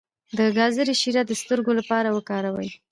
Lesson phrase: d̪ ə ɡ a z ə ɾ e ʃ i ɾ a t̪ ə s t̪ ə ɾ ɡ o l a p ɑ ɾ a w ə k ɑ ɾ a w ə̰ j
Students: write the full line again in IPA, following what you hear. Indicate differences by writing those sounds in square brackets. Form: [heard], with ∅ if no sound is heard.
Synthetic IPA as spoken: d̪ ə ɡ [ɑ] z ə ɾ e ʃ i ɾ a [d̪] ə s t̪ ə ɾ ɡ o l a p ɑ ɾ a w ə k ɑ ɾ a w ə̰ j